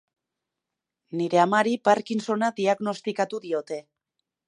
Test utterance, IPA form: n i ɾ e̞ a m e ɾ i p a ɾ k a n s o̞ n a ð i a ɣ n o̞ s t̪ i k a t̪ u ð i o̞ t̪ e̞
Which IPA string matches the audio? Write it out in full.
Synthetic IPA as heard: n i ɾ e̞ a m a ɾ i p a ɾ k i n s o̞ n a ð i a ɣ n o̞ s t̪ i k a t̪ u ð i o̞ t̪ e̞